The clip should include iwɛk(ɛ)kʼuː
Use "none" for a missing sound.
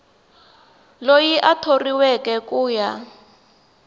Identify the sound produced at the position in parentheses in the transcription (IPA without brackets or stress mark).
ɛ